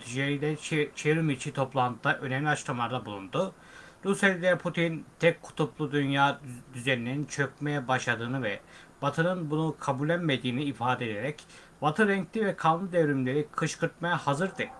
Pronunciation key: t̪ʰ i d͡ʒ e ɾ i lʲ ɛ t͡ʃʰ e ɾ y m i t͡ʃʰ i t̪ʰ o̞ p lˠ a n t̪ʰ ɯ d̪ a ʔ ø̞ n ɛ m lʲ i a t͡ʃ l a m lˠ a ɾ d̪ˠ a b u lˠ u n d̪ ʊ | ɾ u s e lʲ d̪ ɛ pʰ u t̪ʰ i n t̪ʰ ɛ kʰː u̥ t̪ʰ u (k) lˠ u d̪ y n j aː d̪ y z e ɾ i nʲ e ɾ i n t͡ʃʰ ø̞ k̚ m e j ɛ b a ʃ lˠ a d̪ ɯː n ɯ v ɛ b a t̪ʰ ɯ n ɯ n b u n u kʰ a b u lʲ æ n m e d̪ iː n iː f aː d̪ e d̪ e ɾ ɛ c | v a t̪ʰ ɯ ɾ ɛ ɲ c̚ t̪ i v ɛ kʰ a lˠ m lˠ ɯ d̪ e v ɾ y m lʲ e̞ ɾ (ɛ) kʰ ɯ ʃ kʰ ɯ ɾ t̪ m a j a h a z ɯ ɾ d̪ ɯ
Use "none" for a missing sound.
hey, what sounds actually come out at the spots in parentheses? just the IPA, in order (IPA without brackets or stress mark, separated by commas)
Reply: p, i